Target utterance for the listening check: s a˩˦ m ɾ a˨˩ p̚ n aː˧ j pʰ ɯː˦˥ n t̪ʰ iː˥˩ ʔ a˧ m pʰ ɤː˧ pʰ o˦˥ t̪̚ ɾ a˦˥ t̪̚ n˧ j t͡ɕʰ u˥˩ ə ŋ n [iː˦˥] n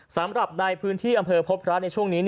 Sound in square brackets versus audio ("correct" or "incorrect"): correct